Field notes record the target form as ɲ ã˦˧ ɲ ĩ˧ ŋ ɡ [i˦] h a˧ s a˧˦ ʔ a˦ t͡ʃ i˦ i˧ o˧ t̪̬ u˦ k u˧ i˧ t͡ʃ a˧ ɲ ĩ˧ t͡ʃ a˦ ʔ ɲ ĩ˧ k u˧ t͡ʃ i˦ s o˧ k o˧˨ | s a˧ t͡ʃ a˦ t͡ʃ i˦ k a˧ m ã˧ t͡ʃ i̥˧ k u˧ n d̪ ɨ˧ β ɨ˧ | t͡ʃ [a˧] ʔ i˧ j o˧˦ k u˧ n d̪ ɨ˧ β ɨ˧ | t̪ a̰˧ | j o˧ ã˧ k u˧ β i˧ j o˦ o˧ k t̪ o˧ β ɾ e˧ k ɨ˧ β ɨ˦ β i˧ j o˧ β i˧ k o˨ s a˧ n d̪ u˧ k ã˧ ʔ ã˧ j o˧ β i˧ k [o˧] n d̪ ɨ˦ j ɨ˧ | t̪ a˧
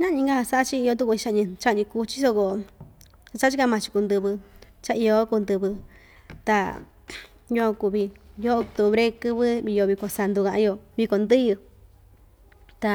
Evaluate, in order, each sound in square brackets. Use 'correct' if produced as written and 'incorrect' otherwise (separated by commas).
incorrect, correct, correct